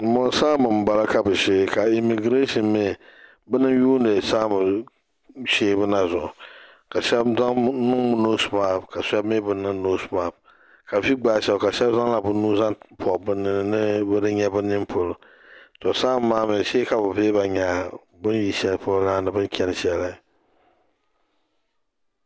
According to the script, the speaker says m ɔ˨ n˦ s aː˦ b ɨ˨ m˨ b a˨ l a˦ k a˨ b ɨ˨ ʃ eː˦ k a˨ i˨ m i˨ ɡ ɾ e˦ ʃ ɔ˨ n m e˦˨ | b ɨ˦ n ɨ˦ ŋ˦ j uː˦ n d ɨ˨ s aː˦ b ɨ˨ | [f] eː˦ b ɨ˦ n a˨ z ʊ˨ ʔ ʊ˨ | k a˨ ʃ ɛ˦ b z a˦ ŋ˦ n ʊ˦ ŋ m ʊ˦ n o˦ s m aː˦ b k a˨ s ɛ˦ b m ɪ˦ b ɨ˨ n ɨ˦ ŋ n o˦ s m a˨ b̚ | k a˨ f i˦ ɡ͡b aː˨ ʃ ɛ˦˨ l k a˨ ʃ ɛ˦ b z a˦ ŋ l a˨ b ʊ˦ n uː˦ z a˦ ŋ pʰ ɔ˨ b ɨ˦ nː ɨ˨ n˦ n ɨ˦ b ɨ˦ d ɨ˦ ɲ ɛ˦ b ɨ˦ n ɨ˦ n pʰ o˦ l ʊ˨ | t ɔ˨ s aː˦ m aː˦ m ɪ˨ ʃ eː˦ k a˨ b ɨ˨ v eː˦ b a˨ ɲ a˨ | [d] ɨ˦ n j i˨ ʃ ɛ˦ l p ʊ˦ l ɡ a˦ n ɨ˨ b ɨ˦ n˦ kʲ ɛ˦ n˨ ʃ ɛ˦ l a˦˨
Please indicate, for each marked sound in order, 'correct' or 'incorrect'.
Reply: incorrect, incorrect

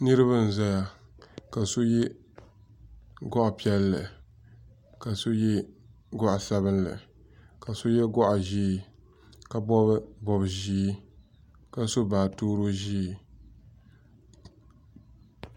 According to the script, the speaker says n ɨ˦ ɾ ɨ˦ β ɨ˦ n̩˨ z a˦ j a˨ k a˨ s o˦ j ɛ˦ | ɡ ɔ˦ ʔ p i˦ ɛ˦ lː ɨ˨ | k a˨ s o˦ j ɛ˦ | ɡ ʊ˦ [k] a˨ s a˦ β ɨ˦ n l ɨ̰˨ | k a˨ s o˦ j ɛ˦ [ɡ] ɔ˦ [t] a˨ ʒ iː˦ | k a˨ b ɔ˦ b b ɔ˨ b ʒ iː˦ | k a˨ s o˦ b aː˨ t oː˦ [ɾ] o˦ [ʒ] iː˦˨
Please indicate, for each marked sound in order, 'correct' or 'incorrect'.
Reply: incorrect, correct, incorrect, correct, correct

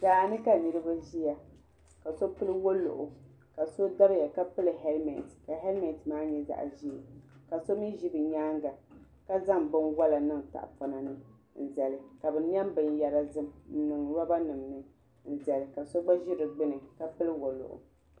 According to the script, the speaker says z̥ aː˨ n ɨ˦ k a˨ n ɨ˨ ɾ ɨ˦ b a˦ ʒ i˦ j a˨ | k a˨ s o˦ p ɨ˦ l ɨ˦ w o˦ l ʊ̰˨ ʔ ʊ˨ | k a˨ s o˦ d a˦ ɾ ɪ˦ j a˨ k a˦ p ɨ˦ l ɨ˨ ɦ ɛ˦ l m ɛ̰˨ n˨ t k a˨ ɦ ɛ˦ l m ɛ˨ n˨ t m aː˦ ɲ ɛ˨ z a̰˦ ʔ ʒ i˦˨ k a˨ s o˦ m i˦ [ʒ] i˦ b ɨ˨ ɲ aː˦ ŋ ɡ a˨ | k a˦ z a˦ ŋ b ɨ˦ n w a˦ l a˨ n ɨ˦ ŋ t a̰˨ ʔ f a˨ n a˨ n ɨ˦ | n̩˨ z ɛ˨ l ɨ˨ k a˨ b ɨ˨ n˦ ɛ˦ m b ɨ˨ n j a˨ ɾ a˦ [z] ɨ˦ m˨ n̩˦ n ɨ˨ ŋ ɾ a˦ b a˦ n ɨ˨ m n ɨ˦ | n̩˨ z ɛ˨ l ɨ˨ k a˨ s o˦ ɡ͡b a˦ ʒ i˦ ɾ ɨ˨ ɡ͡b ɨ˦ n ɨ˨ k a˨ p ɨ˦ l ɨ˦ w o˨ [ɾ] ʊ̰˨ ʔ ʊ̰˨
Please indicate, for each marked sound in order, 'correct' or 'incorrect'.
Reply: correct, correct, incorrect

